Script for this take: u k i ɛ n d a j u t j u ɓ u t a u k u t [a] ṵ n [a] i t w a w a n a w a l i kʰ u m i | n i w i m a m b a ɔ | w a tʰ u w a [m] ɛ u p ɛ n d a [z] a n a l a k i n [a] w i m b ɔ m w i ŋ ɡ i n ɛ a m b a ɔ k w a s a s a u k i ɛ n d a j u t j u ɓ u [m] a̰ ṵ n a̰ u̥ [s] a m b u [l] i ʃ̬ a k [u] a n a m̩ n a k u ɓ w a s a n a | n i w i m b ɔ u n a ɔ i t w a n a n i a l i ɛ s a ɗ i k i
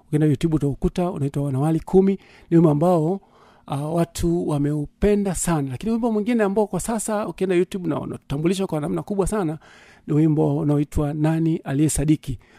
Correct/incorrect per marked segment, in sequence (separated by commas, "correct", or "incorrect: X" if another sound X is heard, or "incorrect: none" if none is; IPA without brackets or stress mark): correct, correct, correct, incorrect: s, incorrect: i, incorrect: n, incorrect: t, correct, incorrect: w